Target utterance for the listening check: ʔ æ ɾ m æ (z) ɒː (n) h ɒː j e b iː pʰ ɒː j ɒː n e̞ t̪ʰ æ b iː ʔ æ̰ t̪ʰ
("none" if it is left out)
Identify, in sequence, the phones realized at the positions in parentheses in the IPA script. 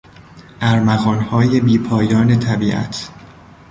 ɣ, n

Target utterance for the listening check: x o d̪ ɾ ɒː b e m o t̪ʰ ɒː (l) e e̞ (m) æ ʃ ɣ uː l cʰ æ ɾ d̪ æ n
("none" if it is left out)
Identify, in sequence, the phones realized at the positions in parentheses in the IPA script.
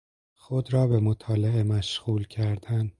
l, m

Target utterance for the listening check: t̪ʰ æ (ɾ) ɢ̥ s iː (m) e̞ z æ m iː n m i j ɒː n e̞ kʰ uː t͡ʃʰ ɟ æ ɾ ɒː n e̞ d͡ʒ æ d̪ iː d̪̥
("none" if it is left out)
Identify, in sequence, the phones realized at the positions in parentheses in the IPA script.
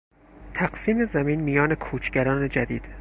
none, m

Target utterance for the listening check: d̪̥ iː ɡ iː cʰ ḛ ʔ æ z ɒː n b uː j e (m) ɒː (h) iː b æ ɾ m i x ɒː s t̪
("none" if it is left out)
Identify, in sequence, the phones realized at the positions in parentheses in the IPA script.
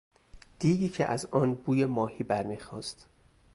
m, h

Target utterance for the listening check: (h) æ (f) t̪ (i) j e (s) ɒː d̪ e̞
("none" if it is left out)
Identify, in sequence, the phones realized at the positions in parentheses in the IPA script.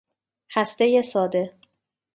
h, s, e, s

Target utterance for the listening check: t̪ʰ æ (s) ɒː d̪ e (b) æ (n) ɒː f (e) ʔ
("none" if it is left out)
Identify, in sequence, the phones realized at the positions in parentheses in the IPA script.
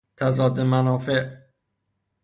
z, m, n, e

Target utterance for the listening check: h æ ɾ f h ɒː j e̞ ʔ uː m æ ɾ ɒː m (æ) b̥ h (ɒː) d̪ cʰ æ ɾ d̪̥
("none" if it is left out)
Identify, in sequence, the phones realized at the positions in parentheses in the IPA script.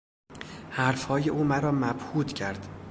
æ, uː

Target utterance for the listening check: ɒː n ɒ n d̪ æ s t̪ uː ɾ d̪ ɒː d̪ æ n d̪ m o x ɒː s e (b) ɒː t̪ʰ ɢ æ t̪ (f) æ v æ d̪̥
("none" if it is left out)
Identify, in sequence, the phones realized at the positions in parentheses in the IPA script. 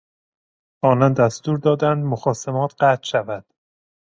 m, ʃ

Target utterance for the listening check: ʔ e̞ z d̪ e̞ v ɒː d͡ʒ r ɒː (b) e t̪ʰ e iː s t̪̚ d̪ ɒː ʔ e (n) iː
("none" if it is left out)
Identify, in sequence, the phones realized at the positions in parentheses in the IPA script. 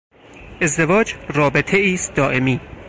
b, m

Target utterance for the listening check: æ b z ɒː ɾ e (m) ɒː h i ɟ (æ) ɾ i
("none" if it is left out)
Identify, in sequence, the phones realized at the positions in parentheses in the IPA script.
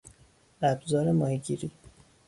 m, i

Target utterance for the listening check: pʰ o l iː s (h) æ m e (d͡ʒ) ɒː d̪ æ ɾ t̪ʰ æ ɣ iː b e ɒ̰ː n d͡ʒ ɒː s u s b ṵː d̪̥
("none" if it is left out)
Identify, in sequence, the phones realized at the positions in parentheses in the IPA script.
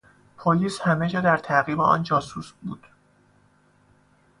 h, d͡ʒ

